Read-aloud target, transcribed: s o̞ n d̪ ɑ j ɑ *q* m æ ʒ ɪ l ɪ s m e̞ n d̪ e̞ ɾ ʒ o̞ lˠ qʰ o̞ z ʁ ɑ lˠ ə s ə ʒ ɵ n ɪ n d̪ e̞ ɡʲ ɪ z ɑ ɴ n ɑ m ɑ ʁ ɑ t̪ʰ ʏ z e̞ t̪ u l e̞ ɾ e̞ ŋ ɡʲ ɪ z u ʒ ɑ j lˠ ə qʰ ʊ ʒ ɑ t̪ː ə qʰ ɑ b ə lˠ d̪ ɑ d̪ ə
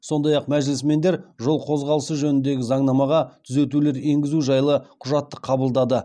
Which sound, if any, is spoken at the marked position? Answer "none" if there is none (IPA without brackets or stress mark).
q